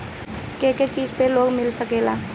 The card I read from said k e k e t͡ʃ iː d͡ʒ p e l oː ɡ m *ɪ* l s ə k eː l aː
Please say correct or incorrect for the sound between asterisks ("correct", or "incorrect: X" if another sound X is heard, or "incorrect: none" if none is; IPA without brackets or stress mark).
correct